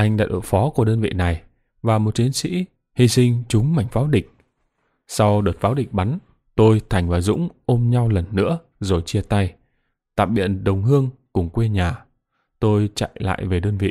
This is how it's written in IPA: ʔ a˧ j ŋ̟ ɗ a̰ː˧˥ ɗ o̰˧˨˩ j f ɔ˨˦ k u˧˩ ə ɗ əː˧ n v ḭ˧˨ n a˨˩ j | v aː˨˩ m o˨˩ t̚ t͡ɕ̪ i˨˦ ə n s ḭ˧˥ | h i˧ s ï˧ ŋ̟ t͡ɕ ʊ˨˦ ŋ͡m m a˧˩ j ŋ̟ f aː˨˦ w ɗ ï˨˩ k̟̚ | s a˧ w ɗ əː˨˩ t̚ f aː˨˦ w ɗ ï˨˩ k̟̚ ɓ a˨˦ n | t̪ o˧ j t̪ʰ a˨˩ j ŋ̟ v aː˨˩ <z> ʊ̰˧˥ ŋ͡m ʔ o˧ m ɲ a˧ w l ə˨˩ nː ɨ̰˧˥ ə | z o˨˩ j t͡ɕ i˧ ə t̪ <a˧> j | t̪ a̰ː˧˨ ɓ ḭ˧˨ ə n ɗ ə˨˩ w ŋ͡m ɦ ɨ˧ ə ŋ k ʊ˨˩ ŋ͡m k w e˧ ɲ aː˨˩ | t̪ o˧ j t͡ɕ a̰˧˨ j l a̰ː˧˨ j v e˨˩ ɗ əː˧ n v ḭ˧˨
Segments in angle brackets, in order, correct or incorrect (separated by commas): correct, correct